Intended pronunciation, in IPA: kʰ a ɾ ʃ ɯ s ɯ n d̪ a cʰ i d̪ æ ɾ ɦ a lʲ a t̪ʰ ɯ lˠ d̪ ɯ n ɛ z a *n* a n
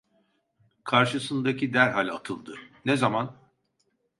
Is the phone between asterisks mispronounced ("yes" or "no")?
yes